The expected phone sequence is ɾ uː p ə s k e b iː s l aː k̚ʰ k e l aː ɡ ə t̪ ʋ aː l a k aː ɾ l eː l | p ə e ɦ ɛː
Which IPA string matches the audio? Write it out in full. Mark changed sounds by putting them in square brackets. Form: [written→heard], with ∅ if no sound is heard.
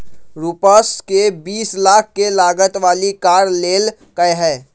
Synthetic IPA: ɾ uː p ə s k e b iː s l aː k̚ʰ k e l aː ɡ ə t̪ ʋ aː l [a→i] k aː ɾ l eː l | [p→k] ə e ɦ ɛː